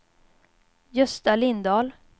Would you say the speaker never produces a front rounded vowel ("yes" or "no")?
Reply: yes